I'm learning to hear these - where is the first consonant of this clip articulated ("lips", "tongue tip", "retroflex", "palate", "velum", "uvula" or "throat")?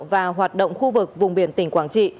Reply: lips